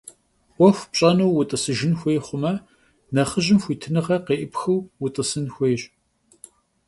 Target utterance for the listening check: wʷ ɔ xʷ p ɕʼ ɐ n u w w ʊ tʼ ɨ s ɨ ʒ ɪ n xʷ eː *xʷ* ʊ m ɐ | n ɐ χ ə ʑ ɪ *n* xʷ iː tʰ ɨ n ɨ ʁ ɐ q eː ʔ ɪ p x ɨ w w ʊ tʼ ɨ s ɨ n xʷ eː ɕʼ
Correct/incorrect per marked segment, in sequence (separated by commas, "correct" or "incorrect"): incorrect, incorrect